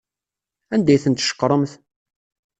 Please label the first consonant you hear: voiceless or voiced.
voiced